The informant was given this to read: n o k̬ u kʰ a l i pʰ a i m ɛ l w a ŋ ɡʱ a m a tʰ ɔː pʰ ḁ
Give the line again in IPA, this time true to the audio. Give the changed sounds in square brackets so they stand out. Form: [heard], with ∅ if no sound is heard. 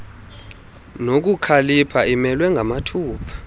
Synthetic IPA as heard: n o k̬ u kʰ a l i pʰ a i m ɛ l w [ɛ] ŋ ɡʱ a m a tʰ [uː] pʰ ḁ